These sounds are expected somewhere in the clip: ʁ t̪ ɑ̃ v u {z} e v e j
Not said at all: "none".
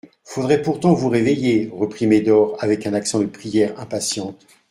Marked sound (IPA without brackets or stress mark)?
ʁ